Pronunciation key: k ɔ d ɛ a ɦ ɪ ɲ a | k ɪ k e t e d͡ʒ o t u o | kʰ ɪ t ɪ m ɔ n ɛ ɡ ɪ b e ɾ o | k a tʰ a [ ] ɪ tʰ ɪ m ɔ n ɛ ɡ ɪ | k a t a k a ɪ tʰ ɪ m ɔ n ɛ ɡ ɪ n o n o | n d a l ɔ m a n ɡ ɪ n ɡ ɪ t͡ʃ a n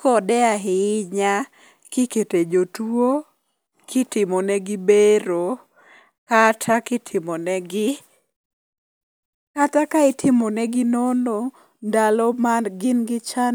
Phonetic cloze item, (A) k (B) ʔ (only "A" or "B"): A